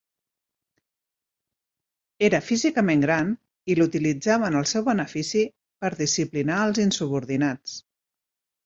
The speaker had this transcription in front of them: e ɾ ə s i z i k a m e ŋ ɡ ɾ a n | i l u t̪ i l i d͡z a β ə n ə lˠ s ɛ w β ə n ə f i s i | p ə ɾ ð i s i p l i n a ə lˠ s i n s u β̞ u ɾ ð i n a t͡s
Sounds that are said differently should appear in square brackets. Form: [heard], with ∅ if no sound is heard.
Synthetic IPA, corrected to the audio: e ɾ ə [f] i z i k [ə] m e ŋ ɡ ɾ a n | i l u t̪ i l i d͡z a β ə n ə lˠ s ɛ w β ə n ə f i s i | p ə ɾ ð i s i p l i n a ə lˠ [z] i n s u β̞ u ɾ ð i n a t͡s